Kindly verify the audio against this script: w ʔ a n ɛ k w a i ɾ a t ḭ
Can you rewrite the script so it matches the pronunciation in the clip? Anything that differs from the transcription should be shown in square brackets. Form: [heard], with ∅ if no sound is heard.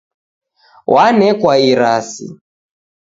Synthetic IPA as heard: w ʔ a n ɛ k w a i ɾ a [s] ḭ